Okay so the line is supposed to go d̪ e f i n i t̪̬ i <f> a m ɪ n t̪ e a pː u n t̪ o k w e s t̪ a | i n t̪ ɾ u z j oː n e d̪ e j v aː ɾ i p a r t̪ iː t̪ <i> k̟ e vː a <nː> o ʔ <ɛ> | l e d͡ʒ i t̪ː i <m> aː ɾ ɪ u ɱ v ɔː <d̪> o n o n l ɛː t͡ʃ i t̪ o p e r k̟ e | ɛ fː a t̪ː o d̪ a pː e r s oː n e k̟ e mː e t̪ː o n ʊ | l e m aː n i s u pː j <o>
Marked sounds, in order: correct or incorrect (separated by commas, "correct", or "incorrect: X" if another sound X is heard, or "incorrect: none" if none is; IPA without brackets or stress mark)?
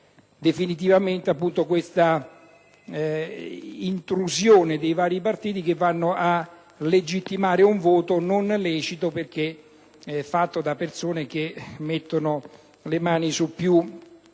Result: incorrect: v, correct, correct, incorrect: a, correct, incorrect: t̪, incorrect: u